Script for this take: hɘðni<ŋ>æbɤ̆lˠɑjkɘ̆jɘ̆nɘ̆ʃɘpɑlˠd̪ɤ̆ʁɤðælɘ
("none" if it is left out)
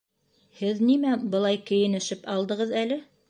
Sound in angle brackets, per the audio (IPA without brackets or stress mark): m